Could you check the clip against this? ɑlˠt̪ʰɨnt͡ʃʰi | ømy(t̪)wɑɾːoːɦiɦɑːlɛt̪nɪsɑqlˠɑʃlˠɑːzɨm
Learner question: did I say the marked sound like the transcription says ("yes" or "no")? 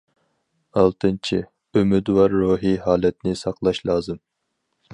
no